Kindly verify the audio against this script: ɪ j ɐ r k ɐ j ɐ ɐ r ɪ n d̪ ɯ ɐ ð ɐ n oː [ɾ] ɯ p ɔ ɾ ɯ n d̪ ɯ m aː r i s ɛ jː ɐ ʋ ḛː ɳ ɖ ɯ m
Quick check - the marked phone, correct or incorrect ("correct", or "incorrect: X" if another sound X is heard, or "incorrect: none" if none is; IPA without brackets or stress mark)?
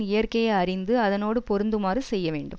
incorrect: ɽ